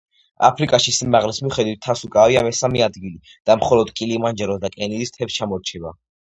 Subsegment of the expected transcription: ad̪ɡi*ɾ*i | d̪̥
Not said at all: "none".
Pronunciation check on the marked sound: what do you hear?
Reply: l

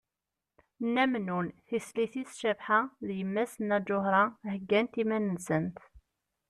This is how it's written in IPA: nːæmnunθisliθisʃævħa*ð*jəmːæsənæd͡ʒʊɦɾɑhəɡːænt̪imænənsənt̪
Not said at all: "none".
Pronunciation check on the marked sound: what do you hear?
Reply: ð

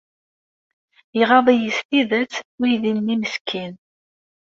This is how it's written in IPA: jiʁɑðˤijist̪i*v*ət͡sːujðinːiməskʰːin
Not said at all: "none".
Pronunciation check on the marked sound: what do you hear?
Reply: ð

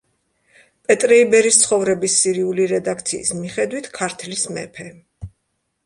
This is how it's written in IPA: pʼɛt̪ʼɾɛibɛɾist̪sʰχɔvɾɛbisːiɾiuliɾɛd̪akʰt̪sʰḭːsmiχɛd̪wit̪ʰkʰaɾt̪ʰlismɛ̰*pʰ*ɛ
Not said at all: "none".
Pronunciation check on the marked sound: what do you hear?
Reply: pʰ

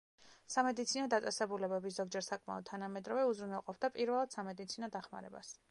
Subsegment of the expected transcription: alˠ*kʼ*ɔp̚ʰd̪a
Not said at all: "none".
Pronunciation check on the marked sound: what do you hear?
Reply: qʼ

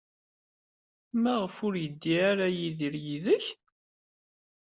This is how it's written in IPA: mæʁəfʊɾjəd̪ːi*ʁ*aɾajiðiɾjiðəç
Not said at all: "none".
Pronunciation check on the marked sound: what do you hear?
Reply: none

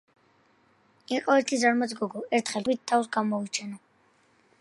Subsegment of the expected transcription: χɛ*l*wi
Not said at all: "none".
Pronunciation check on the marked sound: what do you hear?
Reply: l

